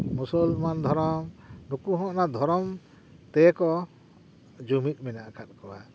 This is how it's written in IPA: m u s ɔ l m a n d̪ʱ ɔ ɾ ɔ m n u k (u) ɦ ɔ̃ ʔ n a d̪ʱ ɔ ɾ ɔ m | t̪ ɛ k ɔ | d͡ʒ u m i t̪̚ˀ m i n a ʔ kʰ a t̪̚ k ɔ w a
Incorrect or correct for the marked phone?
correct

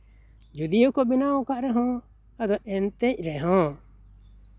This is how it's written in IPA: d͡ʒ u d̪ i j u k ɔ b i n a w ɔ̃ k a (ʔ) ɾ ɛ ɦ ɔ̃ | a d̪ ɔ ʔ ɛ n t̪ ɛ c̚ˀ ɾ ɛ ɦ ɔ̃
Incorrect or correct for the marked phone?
correct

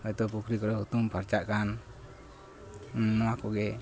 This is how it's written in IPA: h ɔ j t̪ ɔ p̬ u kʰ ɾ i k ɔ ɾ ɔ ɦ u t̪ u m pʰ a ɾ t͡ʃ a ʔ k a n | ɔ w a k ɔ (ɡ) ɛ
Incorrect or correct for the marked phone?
correct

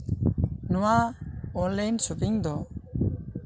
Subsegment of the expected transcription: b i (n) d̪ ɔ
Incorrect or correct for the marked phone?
incorrect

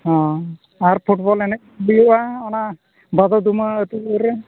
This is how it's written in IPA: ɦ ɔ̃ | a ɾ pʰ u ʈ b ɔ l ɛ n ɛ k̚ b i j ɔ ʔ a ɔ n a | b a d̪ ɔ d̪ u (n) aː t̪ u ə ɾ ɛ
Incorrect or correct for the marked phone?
incorrect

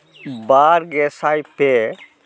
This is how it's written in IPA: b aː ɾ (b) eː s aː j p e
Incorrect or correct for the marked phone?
incorrect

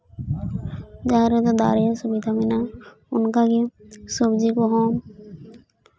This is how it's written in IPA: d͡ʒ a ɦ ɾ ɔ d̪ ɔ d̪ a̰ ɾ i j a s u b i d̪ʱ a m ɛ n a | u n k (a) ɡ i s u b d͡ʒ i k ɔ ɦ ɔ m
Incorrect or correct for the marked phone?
correct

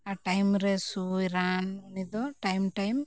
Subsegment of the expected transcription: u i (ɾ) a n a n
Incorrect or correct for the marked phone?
correct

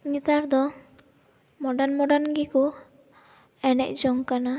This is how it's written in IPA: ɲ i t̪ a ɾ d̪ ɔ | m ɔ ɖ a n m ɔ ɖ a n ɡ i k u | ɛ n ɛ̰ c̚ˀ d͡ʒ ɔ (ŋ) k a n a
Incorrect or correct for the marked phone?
correct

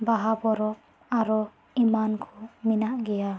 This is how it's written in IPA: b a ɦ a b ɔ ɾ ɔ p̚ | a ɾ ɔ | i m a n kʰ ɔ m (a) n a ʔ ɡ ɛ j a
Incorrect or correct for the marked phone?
incorrect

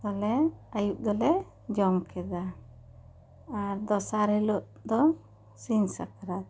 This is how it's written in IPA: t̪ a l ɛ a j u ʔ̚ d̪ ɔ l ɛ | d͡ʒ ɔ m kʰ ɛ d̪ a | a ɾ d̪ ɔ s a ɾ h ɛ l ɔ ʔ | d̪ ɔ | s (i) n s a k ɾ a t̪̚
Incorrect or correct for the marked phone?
correct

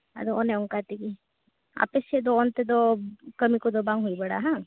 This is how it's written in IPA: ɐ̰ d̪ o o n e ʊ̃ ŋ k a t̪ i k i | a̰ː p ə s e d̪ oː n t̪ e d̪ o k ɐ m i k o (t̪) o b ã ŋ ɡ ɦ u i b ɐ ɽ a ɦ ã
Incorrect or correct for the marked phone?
incorrect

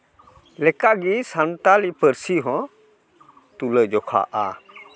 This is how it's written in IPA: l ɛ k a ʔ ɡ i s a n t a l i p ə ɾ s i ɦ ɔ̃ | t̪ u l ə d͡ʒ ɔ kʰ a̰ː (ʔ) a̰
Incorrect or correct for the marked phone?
correct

